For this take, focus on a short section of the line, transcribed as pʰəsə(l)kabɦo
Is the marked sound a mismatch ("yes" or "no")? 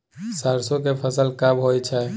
no